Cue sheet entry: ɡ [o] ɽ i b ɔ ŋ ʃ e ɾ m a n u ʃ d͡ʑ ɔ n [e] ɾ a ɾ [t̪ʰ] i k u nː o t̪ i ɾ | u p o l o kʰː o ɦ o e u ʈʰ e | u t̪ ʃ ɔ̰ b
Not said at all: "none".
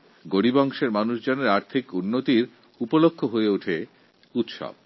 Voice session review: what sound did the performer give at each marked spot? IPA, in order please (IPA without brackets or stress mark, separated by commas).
o, e, t̪ʰ